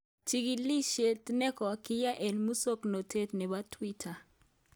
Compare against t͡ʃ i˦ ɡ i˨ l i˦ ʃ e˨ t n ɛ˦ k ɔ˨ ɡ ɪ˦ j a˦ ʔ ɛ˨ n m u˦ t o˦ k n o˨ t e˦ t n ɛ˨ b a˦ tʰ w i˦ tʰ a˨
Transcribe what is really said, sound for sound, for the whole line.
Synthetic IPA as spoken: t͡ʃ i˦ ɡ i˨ l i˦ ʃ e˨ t n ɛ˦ k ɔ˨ k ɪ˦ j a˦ ʔ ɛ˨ n m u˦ s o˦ k n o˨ t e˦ t n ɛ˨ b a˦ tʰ w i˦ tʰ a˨

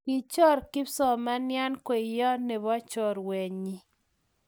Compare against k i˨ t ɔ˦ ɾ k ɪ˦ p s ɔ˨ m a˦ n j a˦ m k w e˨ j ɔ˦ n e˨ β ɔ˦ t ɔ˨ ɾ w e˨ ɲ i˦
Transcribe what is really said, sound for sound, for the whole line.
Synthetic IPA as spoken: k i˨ t͡ʃ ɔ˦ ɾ k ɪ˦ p s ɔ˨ m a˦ n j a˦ n k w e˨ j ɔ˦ n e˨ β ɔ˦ t͡ʃ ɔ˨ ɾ w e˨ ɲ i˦

